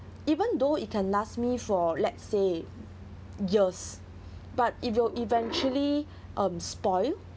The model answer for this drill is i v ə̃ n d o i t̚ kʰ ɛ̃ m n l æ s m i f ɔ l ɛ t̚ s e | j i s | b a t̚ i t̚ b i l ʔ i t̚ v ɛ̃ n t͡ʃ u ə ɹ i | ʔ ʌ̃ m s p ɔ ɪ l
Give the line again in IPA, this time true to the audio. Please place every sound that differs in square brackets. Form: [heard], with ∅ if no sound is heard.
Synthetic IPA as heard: i v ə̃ n d o i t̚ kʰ ɛ̃ [∅] n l [a] s m i f ɔ l ɛ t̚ s e | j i s | b a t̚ i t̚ [w] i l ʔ i [∅] v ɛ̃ n t͡ʃ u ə [l] i | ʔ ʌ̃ m s p ɔ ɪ l